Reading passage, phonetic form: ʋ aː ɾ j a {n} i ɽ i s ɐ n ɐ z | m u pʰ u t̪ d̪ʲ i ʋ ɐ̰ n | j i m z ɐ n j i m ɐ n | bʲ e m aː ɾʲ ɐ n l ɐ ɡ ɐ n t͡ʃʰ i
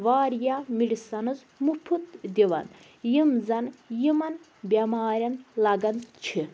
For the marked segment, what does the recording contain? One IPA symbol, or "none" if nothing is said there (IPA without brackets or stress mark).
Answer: m